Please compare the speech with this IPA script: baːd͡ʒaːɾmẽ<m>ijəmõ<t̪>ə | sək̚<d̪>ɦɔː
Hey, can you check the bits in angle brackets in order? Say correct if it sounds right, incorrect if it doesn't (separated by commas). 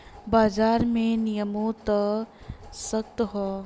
incorrect, correct, incorrect